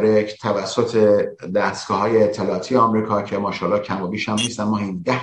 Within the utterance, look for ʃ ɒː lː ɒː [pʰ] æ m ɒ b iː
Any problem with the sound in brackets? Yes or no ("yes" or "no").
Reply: yes